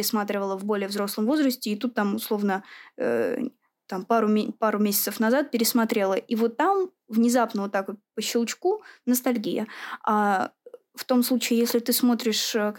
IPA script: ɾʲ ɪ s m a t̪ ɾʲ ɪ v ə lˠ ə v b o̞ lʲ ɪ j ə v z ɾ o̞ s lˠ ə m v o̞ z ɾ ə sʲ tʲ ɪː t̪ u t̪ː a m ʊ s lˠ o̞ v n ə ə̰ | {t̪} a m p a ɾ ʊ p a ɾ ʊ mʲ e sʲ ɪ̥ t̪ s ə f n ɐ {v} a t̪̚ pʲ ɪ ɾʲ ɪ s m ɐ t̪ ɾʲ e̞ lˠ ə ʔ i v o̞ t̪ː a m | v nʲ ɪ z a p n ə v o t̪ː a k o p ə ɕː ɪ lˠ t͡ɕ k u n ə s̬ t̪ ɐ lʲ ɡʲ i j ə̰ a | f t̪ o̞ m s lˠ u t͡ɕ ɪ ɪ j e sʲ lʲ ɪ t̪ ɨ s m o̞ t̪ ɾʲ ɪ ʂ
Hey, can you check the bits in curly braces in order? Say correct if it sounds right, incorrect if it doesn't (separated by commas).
correct, incorrect